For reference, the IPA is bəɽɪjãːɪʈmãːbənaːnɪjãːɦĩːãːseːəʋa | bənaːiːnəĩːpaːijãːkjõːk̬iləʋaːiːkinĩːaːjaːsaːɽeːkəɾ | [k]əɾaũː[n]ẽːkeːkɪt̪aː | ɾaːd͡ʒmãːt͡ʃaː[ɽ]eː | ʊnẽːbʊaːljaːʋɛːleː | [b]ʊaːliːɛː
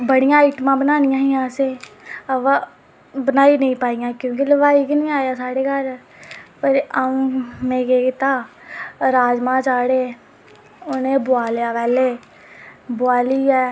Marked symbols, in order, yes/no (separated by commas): no, no, yes, yes